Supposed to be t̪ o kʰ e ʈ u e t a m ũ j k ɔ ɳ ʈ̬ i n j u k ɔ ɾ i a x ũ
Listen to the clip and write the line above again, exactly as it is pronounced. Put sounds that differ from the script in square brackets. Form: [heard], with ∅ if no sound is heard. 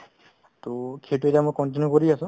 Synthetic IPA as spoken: t̪ o kʰ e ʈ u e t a m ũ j k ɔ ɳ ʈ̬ i n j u k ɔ ɾ i a [s] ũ